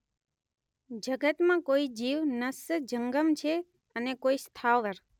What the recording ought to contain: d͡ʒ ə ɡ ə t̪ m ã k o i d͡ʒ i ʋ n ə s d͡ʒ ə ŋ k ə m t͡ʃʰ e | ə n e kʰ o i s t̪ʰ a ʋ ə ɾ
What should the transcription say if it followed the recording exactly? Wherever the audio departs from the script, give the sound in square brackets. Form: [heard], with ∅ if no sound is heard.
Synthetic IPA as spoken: d͡ʒ ə ɡ ə t̪ m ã k o i d͡ʒ i ʋ n ə s d͡ʒ ə ŋ [ɡ] ə m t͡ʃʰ e | ə n e [k] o i s t̪ʰ a ʋ ə ɾ